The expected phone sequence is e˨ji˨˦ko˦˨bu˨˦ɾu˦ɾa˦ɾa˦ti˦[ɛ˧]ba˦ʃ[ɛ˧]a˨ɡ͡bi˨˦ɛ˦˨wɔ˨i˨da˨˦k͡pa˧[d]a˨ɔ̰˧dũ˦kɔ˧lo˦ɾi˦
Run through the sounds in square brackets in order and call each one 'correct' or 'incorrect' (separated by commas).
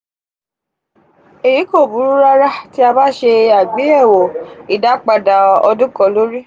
incorrect, incorrect, correct